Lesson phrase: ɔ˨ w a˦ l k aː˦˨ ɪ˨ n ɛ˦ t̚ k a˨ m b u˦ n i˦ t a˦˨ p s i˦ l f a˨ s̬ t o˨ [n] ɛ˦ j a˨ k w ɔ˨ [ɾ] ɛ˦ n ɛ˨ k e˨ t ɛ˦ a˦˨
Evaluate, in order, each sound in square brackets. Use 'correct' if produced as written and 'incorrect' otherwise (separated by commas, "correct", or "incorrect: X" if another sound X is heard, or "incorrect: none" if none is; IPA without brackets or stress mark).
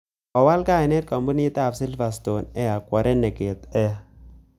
correct, correct